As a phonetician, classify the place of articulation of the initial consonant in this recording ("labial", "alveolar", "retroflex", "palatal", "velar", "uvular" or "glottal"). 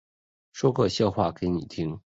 retroflex